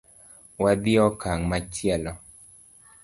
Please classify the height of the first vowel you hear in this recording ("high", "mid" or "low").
low